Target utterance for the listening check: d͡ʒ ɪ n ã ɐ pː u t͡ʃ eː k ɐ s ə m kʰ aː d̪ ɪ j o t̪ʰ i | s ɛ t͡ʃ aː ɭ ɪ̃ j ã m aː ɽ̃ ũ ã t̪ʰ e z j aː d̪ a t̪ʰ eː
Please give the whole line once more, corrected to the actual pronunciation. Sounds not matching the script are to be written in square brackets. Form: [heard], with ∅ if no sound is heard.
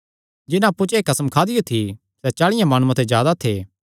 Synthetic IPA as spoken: d͡ʒ ɪ n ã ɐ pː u t͡ʃ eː k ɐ s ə m kʰ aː d̪ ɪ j o t̪ʰ i | s ɛ t͡ʃ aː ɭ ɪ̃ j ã m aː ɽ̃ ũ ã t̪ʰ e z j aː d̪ a t̪ʰ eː